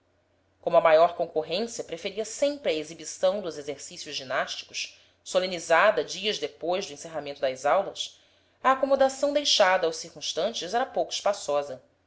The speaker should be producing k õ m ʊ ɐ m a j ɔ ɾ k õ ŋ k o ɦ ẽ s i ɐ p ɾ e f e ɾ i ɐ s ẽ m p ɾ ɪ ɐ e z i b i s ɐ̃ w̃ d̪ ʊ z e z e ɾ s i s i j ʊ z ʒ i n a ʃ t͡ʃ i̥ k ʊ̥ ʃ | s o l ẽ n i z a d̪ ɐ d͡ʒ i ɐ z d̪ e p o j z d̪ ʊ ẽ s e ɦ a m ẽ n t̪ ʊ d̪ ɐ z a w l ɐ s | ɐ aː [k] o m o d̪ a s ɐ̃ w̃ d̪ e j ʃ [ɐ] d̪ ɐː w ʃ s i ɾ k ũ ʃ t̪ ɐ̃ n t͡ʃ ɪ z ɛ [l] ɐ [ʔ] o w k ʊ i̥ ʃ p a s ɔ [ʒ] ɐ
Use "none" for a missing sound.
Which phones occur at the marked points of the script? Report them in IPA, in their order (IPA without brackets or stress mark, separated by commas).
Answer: k, a, ɾ, p, z